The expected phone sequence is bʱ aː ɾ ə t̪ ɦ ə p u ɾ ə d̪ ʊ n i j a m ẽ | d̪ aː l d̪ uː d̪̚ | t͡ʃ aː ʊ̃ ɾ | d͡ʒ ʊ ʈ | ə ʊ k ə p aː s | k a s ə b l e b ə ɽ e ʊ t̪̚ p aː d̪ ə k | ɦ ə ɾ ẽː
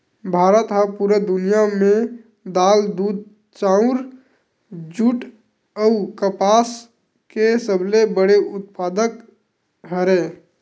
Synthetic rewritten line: bʱ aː ɾ ə t̪ ɦ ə p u ɾ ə d̪ ʊ n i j a m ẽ | d̪ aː l d̪ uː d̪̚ | t͡ʃ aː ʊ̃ ɾ | d͡ʒ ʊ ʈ | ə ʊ k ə p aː s | k e s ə b l e b ə ɽ e ʊ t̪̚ p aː d̪ ə k | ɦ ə ɾ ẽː

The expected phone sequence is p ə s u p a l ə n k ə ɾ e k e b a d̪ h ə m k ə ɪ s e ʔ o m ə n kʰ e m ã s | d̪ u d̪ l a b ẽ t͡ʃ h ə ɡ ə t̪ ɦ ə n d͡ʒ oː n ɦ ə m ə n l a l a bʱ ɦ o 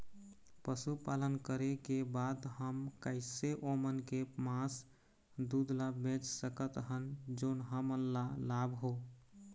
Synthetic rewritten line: p ə s u p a l ə n k ə ɾ e k e b a d̪ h ə m k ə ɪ s e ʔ o m ə n k e m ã s | d̪ u d̪ l a b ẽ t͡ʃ s ə k ə t̪ ɦ ə n d͡ʒ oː n ɦ ə m ə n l a l a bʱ ɦ o

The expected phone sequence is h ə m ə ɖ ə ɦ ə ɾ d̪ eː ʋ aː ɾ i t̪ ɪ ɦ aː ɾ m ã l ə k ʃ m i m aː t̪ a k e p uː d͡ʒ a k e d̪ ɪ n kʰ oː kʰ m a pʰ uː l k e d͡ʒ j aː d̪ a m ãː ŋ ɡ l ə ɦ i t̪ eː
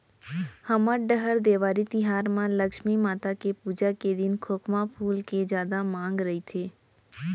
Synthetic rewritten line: h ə m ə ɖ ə ɦ ə ɾ d̪ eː ʋ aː ɾ i t̪ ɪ ɦ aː ɾ m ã l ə k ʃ m i m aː t̪ a k e p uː d͡ʒ a k e d̪ ɪ n kʰ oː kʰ m a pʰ uː l k e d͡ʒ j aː d̪ a m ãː ŋ ɡ ɾ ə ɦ i t̪ʰ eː

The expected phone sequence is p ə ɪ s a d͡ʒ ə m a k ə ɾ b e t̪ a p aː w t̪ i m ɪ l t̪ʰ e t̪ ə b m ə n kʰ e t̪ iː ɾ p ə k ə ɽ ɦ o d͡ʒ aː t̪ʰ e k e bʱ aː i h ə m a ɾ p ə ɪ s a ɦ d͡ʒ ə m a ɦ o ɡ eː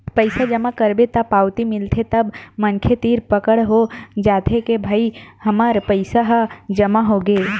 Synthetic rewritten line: p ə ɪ s a d͡ʒ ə m a k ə ɾ b e t̪ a p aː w t̪ i m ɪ l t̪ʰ e t̪ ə b m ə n kʰ e t̪ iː ɾ p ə k ə ɽ ɦ o d͡ʒ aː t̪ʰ e k e bʱ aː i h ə m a ɾ p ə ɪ s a ɦ d͡ʒ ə m a ɦ o ɡ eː

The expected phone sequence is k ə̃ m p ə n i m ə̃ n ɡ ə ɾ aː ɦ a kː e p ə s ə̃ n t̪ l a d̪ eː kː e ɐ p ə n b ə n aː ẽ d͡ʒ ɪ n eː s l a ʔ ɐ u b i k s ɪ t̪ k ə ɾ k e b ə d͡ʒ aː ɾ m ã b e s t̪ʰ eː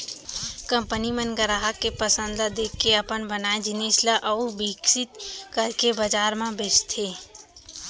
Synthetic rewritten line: k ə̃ m p ə n i m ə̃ n ɡ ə ɾ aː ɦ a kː e p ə s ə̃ n d̪ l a d̪ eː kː e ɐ p ə n b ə n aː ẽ d͡ʒ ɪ n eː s l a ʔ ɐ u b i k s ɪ t̪ k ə ɾ k e b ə d͡ʒ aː ɾ m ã b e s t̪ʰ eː

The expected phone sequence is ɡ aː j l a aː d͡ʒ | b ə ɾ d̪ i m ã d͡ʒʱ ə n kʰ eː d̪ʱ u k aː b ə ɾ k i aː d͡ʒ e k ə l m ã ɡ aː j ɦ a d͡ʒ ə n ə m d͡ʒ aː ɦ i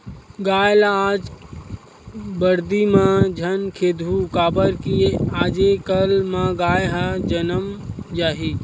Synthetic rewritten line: ɡ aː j l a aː d͡ʒ | b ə ɾ d̪ i m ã d͡ʒʱ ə n kʰ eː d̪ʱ u k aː b ə ɾ k i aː d͡ʒ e k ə l m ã ɡ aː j ɦ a d͡ʒ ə n ə m d͡ʒ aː ɦ i

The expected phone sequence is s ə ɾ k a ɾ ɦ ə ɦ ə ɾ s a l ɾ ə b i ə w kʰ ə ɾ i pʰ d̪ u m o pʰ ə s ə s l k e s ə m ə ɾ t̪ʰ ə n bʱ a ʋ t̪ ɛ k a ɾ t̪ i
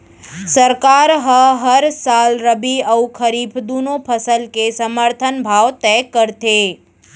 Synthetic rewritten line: s ə ɾ k a ɾ ɦ ə ɦ ə ɾ s a l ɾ ə b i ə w kʰ ə ɾ i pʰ d̪ u n o pʰ ə s ə l k e s ə m ə ɾ t̪ʰ ə n bʱ a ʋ t̪ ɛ k ə ɾ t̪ e

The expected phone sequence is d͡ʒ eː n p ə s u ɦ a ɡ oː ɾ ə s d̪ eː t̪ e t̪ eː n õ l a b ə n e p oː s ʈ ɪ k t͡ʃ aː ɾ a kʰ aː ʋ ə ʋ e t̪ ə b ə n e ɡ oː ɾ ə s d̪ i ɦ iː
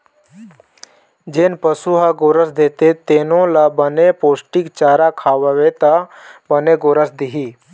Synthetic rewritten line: d͡ʒ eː n p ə s u ɦ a ɡ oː ɾ ə s d̪ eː t̪ e t̪ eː n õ l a b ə n e p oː s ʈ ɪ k t͡ʃ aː ɾ a kʰ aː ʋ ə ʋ e t̪ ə b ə n e ɡ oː ɾ ə s d̪ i ɦ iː

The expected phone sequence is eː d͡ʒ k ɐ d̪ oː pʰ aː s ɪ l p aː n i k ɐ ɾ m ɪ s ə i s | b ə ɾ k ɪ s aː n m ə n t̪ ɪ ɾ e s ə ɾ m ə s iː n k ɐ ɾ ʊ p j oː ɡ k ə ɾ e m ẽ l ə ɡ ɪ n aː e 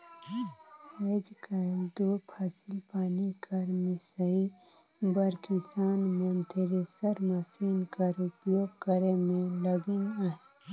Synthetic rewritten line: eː d͡ʒ k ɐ d̪ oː pʰ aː s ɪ l p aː n i k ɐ ɾ m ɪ s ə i | b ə ɾ k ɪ s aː n m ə n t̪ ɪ ɾ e s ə ɾ m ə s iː n k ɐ ɾ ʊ p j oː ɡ k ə ɾ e m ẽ l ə ɡ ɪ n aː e

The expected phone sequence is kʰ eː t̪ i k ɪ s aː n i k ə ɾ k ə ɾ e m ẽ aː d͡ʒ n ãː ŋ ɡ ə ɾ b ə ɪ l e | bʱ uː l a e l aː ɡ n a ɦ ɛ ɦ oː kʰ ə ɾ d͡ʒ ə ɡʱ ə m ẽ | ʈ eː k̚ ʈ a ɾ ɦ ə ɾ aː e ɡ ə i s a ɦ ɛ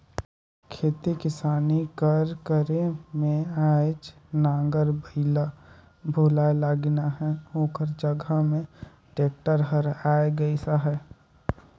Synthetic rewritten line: kʰ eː t̪ i k ɪ s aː n i k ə ɾ k ə ɾ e m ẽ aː d͡ʒ n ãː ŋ ɡ ə ɾ b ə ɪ l a | bʱ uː l a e l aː ɡ n a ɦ ɛ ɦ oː k ə ɾ d͡ʒ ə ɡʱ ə m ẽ | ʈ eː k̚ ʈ ə ɾ ɦ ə ɾ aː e ɡ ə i s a ɦ ɛ

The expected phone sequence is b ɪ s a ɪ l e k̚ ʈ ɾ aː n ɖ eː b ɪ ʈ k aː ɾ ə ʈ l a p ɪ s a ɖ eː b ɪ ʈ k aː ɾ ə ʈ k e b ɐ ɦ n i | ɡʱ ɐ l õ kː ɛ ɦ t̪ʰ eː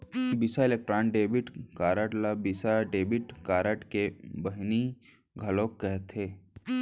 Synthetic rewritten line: b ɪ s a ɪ l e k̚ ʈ ɾ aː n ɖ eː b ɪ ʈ k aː ɾ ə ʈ l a b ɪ s a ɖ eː b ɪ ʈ k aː ɾ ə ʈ k e b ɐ ɦ n i | ɡʱ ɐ l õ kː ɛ ɦ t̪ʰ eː

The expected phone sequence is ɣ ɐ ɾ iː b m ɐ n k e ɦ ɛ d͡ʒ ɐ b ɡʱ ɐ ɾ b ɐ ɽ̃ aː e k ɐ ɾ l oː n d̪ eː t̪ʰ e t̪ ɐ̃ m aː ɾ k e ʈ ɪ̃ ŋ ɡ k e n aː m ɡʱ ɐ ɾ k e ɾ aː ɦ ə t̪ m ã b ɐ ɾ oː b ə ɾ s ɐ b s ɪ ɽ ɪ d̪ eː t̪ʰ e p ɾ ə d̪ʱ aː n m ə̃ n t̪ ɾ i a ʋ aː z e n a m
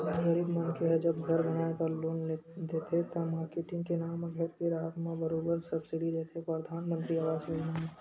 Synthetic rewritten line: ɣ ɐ ɾ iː b m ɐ n k e ɦ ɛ d͡ʒ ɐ b ɡʱ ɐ ɾ b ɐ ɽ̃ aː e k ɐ ɾ l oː n d̪ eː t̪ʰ e t̪ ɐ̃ m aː ɾ k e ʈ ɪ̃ ŋ ɡ k e n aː m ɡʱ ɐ ɾ k e ɾ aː ɦ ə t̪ m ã b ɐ ɾ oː b ə ɾ s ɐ b s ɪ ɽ i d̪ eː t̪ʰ e p ɾ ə d̪ʱ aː n m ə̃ n t̪ ɾ i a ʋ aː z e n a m

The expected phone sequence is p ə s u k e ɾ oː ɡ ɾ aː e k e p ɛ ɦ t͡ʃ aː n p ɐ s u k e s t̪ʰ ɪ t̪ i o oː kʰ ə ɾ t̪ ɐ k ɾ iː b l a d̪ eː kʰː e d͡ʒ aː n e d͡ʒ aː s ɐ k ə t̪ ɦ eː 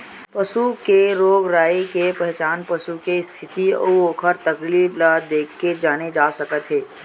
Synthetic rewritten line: p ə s u k e ɾ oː ɡ ɾ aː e k e p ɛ ɦ t͡ʃ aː n p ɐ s u k e s t̪ʰ ɪ t̪ i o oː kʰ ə ɾ t̪ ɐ k l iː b l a d̪ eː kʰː e d͡ʒ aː n e d͡ʒ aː s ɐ k ə t̪ ɦ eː

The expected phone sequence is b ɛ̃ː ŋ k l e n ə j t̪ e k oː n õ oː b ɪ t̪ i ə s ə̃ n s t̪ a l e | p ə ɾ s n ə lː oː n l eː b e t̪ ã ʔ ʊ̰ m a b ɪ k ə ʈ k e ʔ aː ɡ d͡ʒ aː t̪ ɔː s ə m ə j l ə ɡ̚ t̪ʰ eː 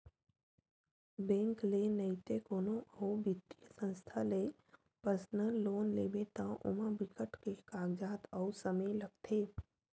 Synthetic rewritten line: b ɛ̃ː ŋ k l e n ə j t̪ e k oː n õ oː b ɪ t̪ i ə s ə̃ n s t̪ʰ a l e | p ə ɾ s n ə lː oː n l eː b e t̪ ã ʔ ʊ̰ m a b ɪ k ə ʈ k e k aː ɡ d͡ʒ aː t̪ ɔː s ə m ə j l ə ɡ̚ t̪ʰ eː

